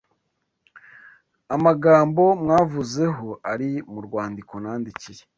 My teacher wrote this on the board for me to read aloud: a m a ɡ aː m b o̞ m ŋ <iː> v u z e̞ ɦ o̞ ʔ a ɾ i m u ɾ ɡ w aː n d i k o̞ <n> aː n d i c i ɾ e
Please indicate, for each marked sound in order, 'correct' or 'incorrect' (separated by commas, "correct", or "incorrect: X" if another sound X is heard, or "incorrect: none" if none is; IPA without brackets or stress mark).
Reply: incorrect: aː, correct